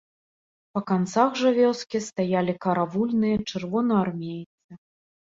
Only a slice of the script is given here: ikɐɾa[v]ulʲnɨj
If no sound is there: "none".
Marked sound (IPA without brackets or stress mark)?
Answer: v